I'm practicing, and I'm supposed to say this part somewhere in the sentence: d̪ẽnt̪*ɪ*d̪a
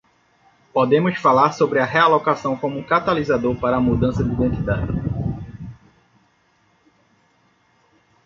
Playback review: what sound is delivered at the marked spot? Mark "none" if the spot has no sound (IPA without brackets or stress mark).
i